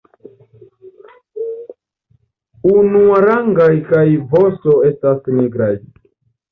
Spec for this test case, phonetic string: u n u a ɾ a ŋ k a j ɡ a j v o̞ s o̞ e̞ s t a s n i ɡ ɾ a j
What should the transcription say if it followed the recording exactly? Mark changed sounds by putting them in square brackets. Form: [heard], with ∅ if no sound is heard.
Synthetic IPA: u n u a ɾ a ŋ [ɡ] a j [k] a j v o̞ s o̞ e̞ s t a s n i ɡ ɾ a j

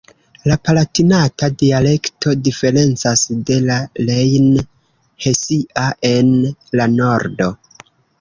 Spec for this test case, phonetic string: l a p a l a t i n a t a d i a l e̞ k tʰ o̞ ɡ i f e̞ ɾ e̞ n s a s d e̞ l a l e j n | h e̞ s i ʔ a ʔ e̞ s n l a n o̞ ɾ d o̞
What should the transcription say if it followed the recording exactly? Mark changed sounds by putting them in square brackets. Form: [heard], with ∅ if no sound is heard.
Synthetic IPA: l a p a l a t i n a t a d i a l e̞ k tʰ o̞ [d] i f e̞ ɾ e̞ n [t͡s] a s d e̞ l a l e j n | h e̞ s i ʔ a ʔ e̞ [∅] n l a n o̞ ɾ d o̞

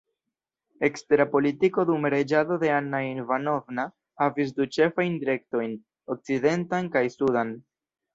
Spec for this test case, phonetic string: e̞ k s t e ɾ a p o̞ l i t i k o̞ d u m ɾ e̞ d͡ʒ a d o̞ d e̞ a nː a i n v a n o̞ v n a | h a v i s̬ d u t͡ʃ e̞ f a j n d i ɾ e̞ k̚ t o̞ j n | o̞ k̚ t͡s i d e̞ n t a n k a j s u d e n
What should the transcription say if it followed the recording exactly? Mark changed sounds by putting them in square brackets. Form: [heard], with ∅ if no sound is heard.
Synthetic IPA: e̞ k s t e ɾ a p o̞ l i t i k o̞ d u m ɾ e̞ d͡ʒ a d o̞ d e̞ a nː a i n v a n o̞ v n a | h a v i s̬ d u t͡ʃ e̞ f a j n d i ɾ e̞ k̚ t o̞ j n | o̞ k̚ t͡s i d e̞ n t a n k a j s u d [a] n

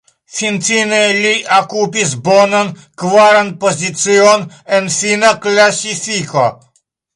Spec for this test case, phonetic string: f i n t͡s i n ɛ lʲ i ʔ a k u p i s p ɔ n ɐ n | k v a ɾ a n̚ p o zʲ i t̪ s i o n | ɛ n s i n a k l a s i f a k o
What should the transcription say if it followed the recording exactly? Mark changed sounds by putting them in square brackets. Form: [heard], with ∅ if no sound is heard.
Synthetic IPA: f i n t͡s i n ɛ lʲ i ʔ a k u p i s [b] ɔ n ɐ n | k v a ɾ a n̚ p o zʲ i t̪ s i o n | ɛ n [f] i n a k l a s i f [i] k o

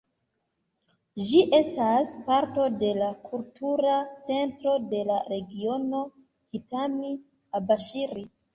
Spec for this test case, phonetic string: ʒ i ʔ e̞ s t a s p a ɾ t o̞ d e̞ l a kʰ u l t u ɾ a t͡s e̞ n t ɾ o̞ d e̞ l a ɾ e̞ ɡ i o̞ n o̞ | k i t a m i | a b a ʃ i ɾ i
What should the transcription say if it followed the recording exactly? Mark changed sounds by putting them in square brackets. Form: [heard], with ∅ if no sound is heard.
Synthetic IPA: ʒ i ʔ e̞ s t a s p a ɾ t o̞ d e̞ l a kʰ u l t u ɾ a t͡s e̞ n t ɾ o̞ d e̞ l a ɾ e̞ ɡ i o̞ n o̞ | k i t a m i | a b a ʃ i ɾ i

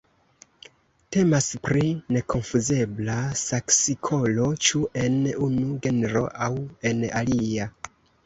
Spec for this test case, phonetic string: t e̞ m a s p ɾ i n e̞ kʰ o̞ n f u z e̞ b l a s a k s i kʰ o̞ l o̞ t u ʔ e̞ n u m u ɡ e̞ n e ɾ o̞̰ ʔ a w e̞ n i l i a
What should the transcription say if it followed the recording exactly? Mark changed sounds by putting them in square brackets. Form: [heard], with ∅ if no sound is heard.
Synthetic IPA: t e̞ m a s p ɾ i n e̞ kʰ o̞ n f u z e̞ b l a s a k s i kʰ o̞ l o̞ [t͡ʃ] u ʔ e̞ n u [n] u ɡ e̞ n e ɾ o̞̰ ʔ a w e̞ n [a] l i a

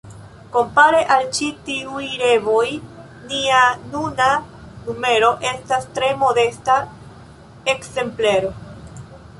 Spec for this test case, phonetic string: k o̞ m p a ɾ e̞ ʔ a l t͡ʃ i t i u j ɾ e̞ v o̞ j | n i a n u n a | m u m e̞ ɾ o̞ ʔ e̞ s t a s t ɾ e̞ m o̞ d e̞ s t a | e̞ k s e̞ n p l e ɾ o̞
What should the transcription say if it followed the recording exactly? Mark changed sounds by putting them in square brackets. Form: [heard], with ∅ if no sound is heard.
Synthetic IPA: k o̞ m p a ɾ e̞ ʔ a l t͡ʃ i t i u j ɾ e̞ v o̞ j | n i a n u n a | [n] u m e̞ ɾ o̞ ʔ e̞ s t a s t ɾ e̞ m o̞ d e̞ s t a | e̞ k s e̞ [m] p l e ɾ o̞

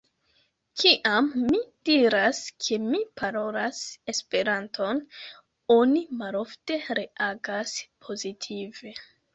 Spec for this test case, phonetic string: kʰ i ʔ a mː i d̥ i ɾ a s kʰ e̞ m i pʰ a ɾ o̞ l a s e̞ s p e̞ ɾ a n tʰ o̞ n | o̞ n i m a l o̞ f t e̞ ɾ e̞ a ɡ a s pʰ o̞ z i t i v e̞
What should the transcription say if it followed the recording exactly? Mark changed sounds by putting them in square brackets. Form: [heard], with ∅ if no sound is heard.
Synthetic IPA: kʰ i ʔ a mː i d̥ i ɾ a s kʰ e̞ m i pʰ a ɾ o̞ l a s e̞ s p e̞ ɾ a n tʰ o̞ n | o̞ n i m a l o̞ f t e̞ ɾ e̞ a ɡ a s pʰ o̞ z i [tʰ] i v e̞

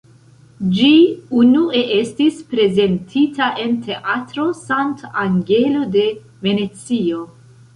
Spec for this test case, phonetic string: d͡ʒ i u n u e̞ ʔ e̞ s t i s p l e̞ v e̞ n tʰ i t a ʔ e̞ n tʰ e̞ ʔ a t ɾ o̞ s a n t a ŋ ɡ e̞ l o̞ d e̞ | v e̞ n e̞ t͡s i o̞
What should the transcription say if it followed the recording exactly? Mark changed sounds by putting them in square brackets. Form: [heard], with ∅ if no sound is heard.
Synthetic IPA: d͡ʒ i u n u e̞ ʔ e̞ s t i s p [ɾ] e̞ [z] e̞ n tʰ i t a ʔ e̞ n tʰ e̞ ʔ a t ɾ o̞ s a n t a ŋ ɡ e̞ l o̞ d e̞ | v e̞ n e̞ t͡s i o̞

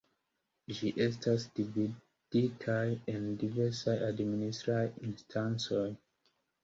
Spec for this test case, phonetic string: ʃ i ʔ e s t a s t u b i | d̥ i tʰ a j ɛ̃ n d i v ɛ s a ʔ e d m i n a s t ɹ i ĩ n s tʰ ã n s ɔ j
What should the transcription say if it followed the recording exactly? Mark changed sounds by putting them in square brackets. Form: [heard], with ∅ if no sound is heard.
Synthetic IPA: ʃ i ʔ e s t a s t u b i | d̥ i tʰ a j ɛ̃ n d i v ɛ s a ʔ [a] d m i n [i] s t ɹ [a] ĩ n s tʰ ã n s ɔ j

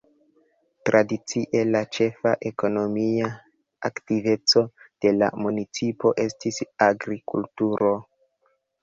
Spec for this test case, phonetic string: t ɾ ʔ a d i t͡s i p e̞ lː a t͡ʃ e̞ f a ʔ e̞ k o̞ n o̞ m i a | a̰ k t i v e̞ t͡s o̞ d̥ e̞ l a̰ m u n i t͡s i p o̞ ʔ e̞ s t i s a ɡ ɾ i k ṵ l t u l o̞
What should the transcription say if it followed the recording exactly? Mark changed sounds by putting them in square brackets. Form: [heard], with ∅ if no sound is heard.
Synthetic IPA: t ɾ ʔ a d i t͡s i [ʔ] e̞ [l] a t͡ʃ e̞ f a ʔ e̞ k o̞ n o̞ m i a | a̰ k t i v e̞ t͡s o̞ d̥ e̞ l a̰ m u n i t͡s i p o̞ ʔ e̞ s t i s a ɡ ɾ i k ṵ l t u [ɾ] o̞

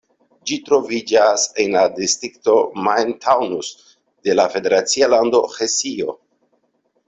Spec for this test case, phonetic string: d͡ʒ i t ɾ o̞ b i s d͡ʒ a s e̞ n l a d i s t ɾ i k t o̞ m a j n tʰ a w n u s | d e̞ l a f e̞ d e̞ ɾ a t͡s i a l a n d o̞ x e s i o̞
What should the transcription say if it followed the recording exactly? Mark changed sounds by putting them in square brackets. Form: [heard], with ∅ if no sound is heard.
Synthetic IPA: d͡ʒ i t ɾ o̞ [v] i [∅] d͡ʒ a s e̞ n l a d i s t ɾ i k t o̞ m a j n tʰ a w n u s | d e̞ l a f e̞ d e̞ ɾ a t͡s i a l a n d o̞ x e s i o̞

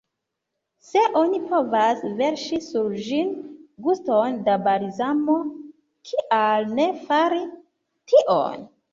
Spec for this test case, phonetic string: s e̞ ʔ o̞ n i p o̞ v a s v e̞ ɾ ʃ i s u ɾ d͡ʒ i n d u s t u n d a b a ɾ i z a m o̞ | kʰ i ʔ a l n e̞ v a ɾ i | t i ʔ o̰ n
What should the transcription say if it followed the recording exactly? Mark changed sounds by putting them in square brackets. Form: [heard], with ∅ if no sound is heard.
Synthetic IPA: s e̞ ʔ o̞ n i p o̞ v a s v e̞ ɾ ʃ i s u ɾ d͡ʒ i n [ɡ] u s t [o] n d a b a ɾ i z a m o̞ | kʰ i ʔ a l n e̞ [f] a ɾ i | t i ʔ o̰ n

